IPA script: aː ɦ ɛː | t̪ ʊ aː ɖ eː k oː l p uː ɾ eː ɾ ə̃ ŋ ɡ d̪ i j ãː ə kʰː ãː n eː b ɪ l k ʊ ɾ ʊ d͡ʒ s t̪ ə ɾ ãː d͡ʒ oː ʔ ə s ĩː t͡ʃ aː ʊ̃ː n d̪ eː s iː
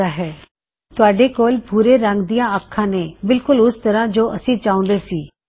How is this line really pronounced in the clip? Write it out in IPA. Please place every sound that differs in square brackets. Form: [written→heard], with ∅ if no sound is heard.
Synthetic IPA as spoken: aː ɦ ɛː | t̪ ʊ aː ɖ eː k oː l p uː ɾ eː ɾ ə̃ ŋ ɡ d̪ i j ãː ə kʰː ãː n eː b ɪ l k ʊ [ɾ→l] ʊ [d͡ʒ→∅] s t̪ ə ɾ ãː d͡ʒ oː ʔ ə s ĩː t͡ʃ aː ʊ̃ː n d̪ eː s iː